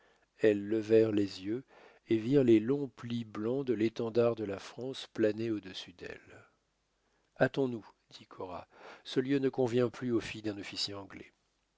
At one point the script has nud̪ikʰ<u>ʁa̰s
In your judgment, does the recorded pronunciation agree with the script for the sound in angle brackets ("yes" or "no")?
no